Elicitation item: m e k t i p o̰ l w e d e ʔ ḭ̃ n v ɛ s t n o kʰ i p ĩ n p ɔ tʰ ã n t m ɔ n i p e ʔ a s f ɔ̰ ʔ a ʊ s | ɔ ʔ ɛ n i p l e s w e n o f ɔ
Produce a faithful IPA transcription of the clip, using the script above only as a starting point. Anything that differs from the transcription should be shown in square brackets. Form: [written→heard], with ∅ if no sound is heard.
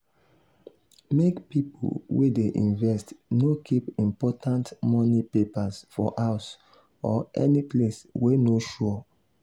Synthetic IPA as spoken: m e k [t→p] i p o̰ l w e d e ʔ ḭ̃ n v ɛ s t n o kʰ i p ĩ [n→m] p ɔ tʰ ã n t m ɔ n i p e [ʔ→p] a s f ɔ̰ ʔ a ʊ s | ɔ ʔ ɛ n i p l e s w e n o [f→ʃ] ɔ